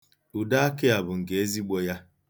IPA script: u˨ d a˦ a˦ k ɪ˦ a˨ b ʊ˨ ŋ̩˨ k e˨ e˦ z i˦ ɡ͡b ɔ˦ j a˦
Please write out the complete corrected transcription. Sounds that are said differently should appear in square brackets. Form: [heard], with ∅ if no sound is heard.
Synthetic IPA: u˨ d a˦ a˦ k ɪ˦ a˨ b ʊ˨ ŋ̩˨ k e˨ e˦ z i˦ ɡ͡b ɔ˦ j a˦